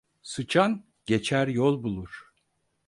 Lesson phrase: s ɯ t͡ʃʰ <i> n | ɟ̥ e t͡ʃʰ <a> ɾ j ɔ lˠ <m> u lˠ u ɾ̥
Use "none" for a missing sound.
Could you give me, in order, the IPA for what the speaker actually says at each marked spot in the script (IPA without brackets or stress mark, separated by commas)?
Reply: a, æ, b